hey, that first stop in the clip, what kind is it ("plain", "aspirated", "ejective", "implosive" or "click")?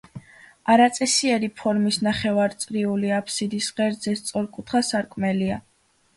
plain